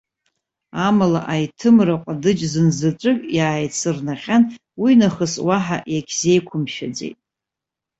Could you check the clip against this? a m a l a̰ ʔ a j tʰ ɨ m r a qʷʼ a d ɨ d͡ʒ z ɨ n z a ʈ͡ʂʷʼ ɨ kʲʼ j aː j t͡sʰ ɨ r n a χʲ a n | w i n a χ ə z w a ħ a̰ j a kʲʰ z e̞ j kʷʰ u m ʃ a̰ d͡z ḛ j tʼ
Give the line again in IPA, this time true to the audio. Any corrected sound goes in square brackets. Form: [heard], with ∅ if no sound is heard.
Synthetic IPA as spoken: a m a l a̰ ʔ a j tʰ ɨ m r a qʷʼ a d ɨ d͡ʒ z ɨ n z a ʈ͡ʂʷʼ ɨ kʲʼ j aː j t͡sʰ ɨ r n a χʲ a n | w i n a χ ə [s] w a ħ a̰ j a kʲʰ z e̞ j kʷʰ [ʊ] m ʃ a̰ d͡z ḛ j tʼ

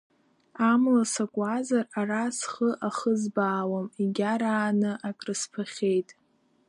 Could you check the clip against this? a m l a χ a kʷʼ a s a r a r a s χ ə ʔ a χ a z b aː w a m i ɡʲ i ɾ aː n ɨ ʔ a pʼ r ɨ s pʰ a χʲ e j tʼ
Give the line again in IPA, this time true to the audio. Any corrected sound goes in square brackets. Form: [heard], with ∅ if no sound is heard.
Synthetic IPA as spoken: a m l a [s] a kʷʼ a [z] a r a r a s χ ə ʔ a χ [ə] z b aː w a m i ɡʲ [a] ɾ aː n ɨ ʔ a [kʼ] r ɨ s pʰ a χʲ e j tʼ

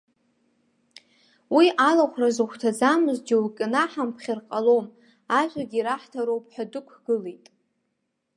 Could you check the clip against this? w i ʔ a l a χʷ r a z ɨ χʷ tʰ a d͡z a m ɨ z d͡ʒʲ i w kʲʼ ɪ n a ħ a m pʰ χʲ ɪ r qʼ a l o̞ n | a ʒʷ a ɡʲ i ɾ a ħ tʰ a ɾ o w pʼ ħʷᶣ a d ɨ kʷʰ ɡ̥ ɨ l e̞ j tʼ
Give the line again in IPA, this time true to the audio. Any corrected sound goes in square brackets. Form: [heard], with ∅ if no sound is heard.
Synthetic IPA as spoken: w i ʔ a l a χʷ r a z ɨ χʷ tʰ a d͡z a m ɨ z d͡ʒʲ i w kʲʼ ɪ n a ħ a m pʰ χʲ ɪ r qʼ a l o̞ [m] | a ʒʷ a ɡʲ i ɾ a ħ tʰ a ɾ o w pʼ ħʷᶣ a d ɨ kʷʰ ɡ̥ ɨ l e̞ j tʼ

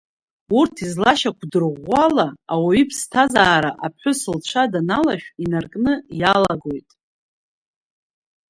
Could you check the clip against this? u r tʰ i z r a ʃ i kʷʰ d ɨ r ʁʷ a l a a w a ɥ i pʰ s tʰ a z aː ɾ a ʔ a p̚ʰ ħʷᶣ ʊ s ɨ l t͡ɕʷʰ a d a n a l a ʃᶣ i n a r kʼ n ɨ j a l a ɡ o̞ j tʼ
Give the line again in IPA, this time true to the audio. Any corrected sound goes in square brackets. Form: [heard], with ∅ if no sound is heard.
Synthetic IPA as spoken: u r tʰ i z [l] a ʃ [a] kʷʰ d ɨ r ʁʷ a l a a w a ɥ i pʰ s tʰ a z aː ɾ a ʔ a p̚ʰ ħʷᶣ ʊ s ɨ l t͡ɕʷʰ a d a n a l a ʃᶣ i n a r kʼ n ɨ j a l a ɡ o̞ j tʼ

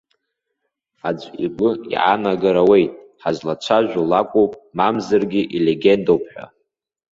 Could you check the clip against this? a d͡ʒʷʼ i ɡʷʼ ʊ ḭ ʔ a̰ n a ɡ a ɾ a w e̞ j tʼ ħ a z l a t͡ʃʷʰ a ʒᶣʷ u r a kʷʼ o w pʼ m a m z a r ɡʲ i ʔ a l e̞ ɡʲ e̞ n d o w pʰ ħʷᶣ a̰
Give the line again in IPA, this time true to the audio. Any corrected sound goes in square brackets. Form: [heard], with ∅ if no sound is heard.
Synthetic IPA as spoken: a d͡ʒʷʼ i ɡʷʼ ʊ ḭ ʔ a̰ n a ɡ a ɾ a w e̞ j tʼ ħ a z l a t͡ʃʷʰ a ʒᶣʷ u [l] a kʷʼ o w pʼ m a m z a r ɡʲ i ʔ [i] l e̞ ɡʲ e̞ n d o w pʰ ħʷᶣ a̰

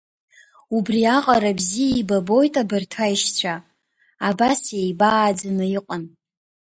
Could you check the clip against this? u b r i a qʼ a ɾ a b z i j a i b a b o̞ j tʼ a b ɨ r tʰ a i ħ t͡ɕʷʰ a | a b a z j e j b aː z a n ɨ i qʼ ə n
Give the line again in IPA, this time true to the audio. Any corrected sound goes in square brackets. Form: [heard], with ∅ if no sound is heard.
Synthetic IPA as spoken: u b r i a qʼ a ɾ a b z i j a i b a b o̞ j tʼ a b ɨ r tʰ a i [ʃ] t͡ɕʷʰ a | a b a [s] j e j b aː [d͡z] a n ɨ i qʼ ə n

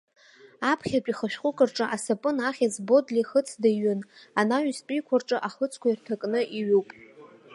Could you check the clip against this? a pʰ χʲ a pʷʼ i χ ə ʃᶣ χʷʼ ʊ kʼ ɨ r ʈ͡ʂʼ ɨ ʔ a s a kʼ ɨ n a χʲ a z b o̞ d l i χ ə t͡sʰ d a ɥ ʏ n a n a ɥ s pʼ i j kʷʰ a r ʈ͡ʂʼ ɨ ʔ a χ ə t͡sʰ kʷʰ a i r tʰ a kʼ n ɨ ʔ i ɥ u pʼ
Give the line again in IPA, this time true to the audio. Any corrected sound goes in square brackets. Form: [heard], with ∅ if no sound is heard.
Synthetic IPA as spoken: a pʰ χʲ a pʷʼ i χ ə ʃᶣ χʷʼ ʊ kʼ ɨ r ʈ͡ʂʼ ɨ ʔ a s a [pʼ] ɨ n a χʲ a z b o̞ d l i χ ə t͡sʰ d a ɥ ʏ n a n a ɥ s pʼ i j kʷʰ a r ʈ͡ʂʼ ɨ ʔ a χ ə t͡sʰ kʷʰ a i r tʰ a kʼ n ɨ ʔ i ɥ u pʼ

